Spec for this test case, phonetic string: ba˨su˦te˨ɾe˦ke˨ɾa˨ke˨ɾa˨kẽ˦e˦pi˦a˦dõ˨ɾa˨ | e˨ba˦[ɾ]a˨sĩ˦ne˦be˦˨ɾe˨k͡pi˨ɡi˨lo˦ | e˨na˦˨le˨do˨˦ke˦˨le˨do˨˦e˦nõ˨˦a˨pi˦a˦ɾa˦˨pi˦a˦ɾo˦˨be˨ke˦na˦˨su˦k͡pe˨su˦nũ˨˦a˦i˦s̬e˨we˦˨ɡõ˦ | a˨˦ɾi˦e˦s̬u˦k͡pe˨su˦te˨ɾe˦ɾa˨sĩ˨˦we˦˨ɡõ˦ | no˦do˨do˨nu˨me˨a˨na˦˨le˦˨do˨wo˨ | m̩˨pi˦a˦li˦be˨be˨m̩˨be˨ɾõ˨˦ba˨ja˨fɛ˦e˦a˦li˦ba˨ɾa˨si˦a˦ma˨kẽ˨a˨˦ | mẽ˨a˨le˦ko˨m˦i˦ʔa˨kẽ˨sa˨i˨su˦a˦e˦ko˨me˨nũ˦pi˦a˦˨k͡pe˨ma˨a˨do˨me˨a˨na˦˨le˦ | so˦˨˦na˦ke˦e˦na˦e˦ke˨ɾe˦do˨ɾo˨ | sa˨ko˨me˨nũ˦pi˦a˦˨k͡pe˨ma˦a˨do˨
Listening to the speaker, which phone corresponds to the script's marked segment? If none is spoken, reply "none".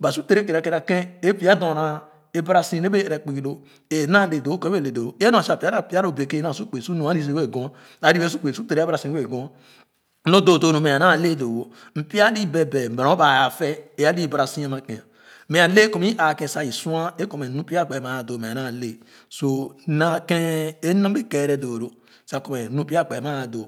ɾ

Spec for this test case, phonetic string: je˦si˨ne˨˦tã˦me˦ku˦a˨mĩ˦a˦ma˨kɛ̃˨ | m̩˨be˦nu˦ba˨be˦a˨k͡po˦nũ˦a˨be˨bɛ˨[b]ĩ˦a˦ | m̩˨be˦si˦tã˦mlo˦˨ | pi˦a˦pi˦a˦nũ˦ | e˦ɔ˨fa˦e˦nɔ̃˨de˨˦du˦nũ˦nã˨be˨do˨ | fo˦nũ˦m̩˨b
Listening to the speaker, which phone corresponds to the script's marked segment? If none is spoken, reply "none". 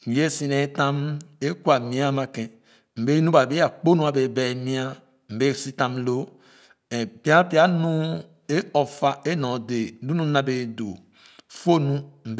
m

